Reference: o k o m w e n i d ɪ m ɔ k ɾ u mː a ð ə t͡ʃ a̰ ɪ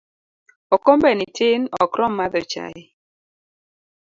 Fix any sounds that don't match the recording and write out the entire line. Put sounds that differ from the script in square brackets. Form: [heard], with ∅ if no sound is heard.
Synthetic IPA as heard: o k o m [b] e n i [t] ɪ [n] ɔ k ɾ [ɔ] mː a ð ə t͡ʃ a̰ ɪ

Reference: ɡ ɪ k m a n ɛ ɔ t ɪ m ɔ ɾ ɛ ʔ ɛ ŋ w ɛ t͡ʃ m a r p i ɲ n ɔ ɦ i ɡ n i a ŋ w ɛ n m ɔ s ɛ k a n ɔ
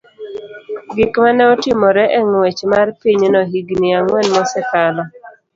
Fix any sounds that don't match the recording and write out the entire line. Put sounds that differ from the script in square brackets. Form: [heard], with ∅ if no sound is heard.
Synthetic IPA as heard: ɡ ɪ k m a n ɛ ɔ t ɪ m ɔ ɾ ɛ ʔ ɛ ŋ w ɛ t͡ʃ m a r p i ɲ n ɔ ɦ i ɡ n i a ŋ w ɛ n m ɔ s ɛ k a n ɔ

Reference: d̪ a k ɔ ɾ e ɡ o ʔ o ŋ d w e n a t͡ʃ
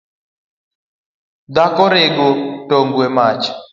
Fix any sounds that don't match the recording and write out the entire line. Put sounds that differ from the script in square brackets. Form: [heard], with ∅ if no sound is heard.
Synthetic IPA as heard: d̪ a k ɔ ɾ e ɡ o [t] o ŋ [ɡ] w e [m] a t͡ʃ

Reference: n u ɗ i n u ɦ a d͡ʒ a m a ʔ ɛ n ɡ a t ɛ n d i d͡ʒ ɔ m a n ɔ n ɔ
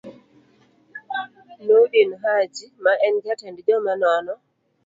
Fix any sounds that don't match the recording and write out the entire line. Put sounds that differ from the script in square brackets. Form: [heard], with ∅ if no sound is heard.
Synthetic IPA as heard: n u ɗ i n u ɦ a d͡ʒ [i] m a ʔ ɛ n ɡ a t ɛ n d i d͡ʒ ɔ m a n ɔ n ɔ

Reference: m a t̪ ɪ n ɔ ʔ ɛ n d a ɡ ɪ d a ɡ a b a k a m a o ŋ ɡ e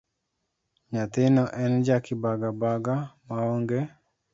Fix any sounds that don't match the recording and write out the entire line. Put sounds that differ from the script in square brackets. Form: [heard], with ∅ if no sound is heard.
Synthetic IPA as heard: [ɲ] a t̪ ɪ n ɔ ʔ ɛ n [d͡ʒ] a [k] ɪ [b] a ɡ a b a [ɡ] a m a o ŋ ɡ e

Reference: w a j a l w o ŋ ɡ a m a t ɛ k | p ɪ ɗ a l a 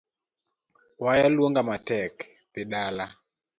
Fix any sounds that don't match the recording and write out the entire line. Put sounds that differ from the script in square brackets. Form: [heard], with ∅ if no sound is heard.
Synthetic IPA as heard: w a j a l w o ŋ ɡ a m a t ɛ k | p ɪ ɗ a l a

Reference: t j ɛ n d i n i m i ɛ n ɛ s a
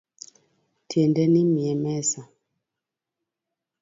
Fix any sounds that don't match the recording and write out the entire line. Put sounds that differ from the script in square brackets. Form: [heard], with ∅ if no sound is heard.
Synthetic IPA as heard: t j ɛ n d [ɛ] n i m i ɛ [m] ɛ s a

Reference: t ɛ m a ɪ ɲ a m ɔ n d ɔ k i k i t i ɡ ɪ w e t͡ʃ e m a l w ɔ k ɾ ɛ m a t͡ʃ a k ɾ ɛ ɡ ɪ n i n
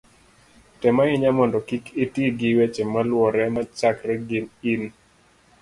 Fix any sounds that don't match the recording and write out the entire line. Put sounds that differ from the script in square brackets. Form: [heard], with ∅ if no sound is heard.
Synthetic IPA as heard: t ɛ m a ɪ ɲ a m ɔ n d ɔ k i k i t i ɡ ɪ w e t͡ʃ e m a l w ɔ [∅] ɾ ɛ m a t͡ʃ a k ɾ ɛ ɡ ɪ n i n

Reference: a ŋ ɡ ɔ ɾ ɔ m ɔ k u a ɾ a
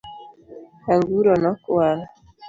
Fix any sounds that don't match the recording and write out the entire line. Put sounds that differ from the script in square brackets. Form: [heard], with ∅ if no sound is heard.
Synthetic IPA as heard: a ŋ ɡ [u] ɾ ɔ [n] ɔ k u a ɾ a

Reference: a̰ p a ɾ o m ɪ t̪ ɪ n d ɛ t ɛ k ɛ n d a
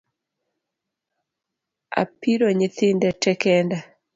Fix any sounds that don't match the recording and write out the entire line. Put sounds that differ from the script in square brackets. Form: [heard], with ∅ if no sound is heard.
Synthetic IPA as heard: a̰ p [i] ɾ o [ɲ] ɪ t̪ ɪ n d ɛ t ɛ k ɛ n d a

